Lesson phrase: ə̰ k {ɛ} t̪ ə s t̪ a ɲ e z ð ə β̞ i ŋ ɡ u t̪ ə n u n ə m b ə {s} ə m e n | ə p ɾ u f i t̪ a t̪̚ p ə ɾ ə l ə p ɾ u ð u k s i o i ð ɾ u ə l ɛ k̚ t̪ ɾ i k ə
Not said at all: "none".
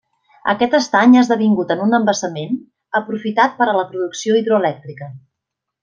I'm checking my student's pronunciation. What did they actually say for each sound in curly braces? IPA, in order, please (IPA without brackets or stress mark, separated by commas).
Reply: ɛ, s